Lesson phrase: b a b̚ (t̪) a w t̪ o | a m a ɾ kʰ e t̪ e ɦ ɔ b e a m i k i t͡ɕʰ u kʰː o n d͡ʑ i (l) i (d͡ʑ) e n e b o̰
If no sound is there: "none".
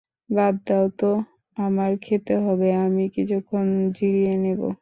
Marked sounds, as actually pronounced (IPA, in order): d̪, ɾ, none

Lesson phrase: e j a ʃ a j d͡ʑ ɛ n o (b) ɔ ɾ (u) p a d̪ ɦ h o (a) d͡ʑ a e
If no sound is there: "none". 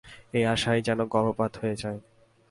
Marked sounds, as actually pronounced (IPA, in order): ɡ, o, e

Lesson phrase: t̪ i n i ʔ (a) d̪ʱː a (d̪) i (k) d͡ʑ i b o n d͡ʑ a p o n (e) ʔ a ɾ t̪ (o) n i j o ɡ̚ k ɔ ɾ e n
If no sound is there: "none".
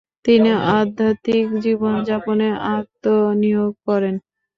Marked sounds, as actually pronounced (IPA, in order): a, t̪, k, e, o

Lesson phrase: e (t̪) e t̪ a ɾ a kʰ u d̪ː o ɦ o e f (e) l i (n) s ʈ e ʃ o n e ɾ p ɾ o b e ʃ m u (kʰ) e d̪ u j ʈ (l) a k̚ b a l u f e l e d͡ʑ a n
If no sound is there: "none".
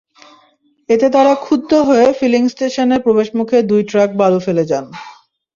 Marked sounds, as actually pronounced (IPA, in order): t̪, i, ŋ, kʰ, ɾ

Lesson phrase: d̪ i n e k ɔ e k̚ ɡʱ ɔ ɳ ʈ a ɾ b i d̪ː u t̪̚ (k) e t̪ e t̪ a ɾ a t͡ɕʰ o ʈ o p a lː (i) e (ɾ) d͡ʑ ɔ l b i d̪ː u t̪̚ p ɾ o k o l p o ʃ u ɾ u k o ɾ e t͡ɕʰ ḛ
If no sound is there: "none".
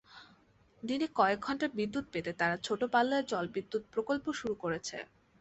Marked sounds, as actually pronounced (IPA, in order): p, a, ɾ

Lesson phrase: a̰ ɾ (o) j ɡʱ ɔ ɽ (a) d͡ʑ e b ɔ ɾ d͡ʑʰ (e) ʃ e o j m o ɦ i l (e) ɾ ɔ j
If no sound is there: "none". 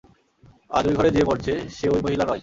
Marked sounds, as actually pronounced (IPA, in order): o, e, e, a

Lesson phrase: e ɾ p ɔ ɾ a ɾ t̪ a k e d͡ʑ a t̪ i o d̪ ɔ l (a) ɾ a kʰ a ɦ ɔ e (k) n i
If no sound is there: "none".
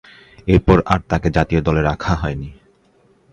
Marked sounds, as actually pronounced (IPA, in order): e, none

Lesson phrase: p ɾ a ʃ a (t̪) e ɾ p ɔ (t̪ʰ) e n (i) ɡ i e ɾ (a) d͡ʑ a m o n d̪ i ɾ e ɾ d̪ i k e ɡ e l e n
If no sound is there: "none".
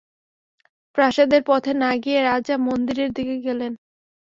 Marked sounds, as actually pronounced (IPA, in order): d̪, t̪ʰ, a, a

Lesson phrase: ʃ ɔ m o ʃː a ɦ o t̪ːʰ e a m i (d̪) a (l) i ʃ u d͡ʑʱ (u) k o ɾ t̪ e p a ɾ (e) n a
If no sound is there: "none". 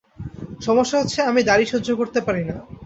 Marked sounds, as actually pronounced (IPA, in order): d̪, ɾ, o, i

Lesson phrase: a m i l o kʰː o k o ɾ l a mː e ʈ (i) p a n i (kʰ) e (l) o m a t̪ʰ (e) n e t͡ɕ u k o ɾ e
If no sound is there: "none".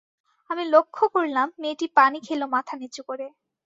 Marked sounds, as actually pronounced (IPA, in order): i, kʰ, l, a

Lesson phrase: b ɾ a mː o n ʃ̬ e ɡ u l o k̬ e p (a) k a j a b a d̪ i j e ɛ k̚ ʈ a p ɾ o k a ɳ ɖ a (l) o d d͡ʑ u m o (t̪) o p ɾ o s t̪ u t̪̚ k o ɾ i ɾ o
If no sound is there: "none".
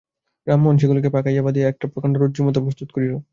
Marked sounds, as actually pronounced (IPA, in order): a, ɾ, t̪

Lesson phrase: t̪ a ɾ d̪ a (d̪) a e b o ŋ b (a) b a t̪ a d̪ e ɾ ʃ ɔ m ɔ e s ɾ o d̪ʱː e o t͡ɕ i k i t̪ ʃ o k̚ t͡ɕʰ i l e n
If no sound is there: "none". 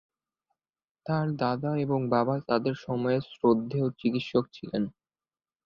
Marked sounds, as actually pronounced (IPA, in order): d̪, a

